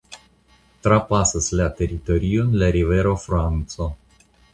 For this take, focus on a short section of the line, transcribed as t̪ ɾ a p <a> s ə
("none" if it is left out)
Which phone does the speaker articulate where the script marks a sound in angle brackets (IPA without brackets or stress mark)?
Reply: a